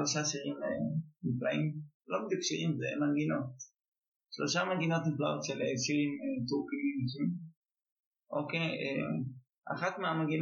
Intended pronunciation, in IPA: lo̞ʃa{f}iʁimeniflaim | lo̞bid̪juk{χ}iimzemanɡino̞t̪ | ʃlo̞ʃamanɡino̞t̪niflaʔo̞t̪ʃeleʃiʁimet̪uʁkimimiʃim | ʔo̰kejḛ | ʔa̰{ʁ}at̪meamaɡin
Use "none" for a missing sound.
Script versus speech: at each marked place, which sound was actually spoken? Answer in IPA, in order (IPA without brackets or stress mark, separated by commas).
ʃ, ʃ, χ